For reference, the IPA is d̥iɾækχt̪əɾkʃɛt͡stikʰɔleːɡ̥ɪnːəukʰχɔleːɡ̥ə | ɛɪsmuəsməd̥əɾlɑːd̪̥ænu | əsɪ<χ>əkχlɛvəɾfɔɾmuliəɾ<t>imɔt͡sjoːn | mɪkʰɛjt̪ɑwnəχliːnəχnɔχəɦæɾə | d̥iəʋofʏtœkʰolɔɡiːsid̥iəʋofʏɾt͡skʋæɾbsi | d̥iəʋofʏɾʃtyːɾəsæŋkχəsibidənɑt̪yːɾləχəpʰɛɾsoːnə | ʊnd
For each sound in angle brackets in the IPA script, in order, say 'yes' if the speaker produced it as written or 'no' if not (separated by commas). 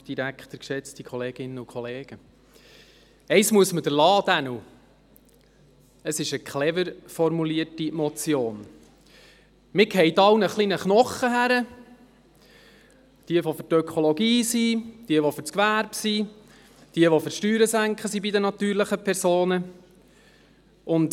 no, yes